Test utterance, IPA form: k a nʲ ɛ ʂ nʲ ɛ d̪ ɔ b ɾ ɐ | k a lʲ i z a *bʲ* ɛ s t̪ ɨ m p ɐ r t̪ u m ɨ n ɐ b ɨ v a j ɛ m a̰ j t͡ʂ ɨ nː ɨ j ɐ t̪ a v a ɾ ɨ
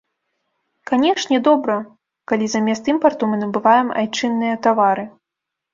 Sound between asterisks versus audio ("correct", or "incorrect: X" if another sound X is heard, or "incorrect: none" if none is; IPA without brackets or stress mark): incorrect: mʲ